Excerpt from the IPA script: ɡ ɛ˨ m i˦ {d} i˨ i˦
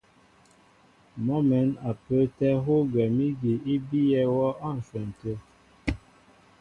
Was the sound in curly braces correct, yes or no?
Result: no